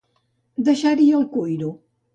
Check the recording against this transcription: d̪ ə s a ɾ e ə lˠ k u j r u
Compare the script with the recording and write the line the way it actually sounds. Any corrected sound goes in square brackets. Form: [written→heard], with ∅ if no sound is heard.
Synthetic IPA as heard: d̪ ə [s→ʃ] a ɾ [e→i] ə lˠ k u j [r→ɾ] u

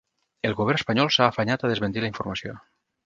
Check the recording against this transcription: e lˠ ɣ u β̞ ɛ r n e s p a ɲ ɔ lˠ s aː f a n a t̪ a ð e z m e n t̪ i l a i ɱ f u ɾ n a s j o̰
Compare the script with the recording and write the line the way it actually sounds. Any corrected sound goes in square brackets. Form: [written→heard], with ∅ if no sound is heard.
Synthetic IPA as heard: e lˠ ɣ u β̞ ɛ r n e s p a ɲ ɔ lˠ s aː f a [n→ɲ] a t̪ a ð e z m e n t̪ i l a i ɱ f u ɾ [n→m] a s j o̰

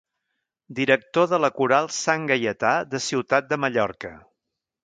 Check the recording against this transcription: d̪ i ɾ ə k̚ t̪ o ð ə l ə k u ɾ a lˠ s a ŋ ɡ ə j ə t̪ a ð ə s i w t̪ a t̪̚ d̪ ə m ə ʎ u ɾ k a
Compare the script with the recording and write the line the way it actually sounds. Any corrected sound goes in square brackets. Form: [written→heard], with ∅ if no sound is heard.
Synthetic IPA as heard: d̪ i ɾ ə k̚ t̪ o ð ə l ə k u ɾ a lˠ s a ŋ ɡ ə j ə t̪ a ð ə s i w t̪ a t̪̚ d̪ ə m ə ʎ [u→ɔ] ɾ k [a→ə]

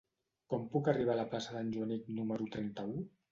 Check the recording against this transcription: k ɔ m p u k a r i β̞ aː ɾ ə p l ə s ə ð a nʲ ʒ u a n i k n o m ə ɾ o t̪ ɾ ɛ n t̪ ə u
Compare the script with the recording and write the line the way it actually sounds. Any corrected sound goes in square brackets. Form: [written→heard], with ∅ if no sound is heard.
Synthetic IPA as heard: k ɔ m p u k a r i β̞ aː [ɾ→l] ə p l [ə→a] s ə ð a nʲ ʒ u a n i k n [o→u] m ə ɾ [o→u] t̪ ɾ ɛ n t̪ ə u

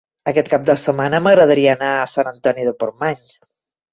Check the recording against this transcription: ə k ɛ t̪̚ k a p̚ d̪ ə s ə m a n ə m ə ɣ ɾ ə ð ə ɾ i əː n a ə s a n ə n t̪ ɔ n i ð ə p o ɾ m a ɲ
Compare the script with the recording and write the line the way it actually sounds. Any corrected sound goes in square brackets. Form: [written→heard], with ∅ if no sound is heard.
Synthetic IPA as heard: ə k ɛ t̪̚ k a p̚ d̪ ə s ə m a n ə m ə ɣ ɾ ə ð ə ɾ i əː n a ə s a n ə n t̪ ɔ n i ð ə p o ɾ m a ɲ

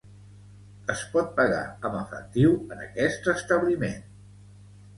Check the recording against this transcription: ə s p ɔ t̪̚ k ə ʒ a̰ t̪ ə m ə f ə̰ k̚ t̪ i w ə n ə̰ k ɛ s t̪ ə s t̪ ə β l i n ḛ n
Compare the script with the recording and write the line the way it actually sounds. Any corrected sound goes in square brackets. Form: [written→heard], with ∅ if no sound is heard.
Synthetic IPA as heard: ə s p ɔ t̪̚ [k→p] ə [ʒ→ɣ] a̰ [t̪→∅] ə m ə f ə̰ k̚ t̪ i w ə n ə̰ k ɛ s t̪ ə s t̪ ə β l i [n→m] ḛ n

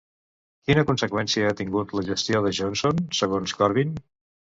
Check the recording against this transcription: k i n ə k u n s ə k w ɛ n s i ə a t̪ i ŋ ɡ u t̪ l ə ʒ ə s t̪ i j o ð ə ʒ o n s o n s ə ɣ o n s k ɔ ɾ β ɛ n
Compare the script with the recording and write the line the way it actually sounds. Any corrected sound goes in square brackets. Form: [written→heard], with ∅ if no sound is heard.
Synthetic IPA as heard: k i n ə k u n s ə k w ɛ n s i ə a t̪ i ŋ ɡ u t̪ l ə ʒ ə s t̪ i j o ð ə ʒ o n s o n s ə ɣ o n s k ɔ ɾ β [ɛ→i] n

